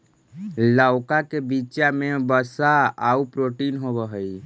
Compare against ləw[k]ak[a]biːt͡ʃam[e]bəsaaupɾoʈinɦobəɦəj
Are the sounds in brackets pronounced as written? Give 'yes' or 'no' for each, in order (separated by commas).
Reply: yes, no, yes